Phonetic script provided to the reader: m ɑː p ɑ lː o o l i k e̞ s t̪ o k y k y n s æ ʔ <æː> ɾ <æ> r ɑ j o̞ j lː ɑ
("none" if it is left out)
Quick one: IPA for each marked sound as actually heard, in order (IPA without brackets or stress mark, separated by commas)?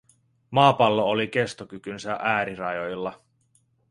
æː, i